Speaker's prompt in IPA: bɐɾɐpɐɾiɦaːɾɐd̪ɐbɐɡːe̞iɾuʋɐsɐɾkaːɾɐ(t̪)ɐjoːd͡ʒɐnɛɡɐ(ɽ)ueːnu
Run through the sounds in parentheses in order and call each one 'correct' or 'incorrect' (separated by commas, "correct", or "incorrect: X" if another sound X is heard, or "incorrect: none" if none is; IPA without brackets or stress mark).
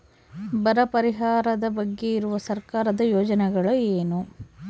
incorrect: d̪, incorrect: ɭ